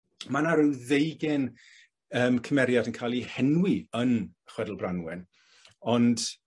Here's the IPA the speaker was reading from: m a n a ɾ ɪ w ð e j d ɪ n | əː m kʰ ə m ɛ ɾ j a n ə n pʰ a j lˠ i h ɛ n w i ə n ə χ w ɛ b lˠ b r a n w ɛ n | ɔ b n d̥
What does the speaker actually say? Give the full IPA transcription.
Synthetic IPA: m a n a ɾ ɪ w ð e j ɡ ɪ n | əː m kʰ ə m ɛ ɾ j a d ə n kʰ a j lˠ i h ɛ n w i ə n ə χ w ɛ d lˠ b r a n w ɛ n | ɔ n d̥

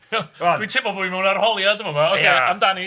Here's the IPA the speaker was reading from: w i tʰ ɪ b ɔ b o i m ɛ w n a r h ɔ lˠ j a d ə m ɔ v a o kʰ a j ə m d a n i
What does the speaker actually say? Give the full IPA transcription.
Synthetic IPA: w i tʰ ɪ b ɔ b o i m ɛ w n a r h ɔ lˠ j a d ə m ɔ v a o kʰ e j a m d a n i

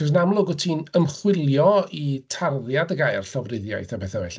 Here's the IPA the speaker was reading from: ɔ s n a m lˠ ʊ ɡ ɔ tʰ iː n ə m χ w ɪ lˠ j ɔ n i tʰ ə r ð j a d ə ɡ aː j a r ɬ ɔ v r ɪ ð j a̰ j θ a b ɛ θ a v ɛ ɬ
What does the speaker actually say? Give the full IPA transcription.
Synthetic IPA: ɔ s n a m lˠ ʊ ɡ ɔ tʰ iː n ə m χ w ɪ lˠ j ɔ i tʰ a r ð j a d ə ɡ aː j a r ɬ ɔ v r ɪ ð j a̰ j θ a b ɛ θ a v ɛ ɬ

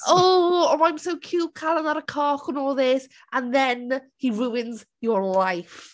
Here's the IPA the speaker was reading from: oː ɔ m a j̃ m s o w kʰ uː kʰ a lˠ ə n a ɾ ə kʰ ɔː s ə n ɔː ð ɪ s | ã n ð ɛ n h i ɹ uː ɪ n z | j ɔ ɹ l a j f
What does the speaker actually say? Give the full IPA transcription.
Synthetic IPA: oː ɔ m a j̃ m s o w kʰ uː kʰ a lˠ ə n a ɾ ə kʰ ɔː χ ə n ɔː ð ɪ s | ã n ð ɛ n h i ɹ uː ɪ n z | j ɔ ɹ l a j f

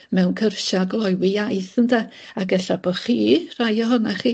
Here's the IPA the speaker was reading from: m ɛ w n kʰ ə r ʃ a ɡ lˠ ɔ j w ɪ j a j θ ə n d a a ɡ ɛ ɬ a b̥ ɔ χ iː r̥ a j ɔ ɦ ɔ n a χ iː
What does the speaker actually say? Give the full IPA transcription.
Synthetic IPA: m ɛ w n kʰ ə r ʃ a ɡ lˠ ɔ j w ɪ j a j θ ə n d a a ɡ ɛ ɬ a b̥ ɔ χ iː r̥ a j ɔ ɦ ɔ n a χ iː

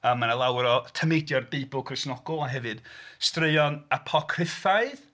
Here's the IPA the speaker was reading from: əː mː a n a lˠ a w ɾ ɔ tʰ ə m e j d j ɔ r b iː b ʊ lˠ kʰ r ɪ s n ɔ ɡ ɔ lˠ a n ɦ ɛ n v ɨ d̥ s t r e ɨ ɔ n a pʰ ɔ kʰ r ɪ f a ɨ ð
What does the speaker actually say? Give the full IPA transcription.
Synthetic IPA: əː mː a n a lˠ a w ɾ ɔ tʰ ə m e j d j ɔ r b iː b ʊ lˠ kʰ r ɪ s n ɔ ɡ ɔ lˠ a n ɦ ɛ v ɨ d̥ s t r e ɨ ɔ n a pʰ ɔ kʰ r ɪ f a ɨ ð

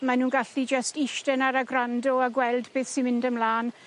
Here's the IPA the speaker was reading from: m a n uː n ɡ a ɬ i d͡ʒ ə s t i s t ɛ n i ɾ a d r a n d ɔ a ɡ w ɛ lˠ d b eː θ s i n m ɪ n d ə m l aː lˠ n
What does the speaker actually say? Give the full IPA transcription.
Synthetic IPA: m a n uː n ɡ a ɬ i d͡ʒ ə s t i ʃ t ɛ n a ɾ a ɡ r a n d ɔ a ɡ w ɛ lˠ d b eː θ s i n m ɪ n d ə m l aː n

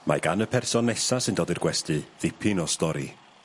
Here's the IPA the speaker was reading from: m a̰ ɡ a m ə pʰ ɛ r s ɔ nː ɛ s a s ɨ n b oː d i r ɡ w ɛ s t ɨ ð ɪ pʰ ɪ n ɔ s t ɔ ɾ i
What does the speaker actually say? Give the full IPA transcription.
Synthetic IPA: m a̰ ɡ a n ə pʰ ɛ r s ɔ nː ɛ s a s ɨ n d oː d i r ɡ w ɛ s t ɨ ð ɪ pʰ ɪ n ɔ s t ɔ ɾ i

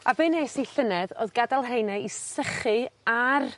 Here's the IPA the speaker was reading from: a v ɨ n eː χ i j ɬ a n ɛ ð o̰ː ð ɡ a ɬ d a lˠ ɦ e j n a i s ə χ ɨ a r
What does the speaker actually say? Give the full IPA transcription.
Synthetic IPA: a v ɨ n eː s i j ɬ ə n ɛ ð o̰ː ð ɡ a d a lˠ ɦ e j n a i s ə χ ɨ a r

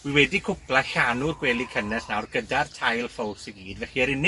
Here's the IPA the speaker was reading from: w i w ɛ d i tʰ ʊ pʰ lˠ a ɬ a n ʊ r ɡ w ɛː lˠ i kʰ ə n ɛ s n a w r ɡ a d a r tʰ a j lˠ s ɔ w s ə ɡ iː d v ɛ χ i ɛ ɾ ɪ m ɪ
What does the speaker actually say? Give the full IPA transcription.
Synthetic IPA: w i w ɛ d i kʰ ʊ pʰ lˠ a ɬ a n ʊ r ɡ w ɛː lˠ i kʰ ə n ɛ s n a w r ɡ ə d a r tʰ a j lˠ f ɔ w s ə ɡ iː d v ɛ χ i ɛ ɾ ɪ n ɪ

